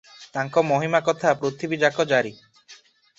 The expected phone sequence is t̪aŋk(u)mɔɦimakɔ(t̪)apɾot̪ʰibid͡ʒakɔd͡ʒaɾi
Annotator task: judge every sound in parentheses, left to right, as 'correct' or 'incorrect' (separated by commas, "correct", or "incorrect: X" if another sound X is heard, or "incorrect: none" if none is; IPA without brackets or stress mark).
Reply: incorrect: ɔ, incorrect: t̪ʰ